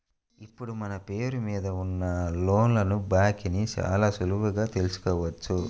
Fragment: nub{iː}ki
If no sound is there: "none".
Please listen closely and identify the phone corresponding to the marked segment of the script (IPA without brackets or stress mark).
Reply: aː